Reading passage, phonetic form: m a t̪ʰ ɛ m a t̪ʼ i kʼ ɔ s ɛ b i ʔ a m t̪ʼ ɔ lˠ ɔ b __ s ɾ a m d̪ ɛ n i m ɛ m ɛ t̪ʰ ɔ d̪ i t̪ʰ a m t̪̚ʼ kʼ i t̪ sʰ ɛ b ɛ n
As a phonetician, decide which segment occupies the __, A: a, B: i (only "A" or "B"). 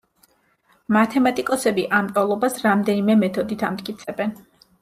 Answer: A